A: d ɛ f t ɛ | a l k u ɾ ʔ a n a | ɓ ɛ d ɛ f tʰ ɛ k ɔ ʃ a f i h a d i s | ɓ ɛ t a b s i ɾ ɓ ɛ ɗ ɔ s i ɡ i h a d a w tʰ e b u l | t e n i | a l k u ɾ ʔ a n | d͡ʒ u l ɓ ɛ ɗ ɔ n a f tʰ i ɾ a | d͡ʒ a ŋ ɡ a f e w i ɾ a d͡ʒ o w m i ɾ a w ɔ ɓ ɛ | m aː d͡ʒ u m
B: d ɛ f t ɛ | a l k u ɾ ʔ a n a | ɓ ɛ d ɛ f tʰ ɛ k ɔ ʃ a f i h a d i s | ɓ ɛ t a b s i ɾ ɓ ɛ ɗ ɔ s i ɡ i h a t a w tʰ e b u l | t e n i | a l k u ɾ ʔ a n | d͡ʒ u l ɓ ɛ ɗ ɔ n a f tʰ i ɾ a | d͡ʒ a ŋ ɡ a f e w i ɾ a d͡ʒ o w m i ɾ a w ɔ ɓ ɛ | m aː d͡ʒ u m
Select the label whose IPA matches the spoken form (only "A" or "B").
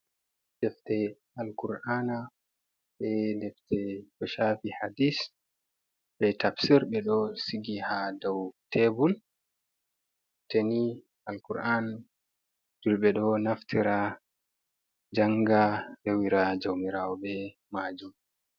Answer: A